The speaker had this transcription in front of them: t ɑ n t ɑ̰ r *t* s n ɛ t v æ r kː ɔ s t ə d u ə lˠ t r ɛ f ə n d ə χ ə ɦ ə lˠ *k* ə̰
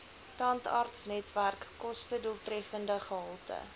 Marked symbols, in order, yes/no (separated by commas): yes, no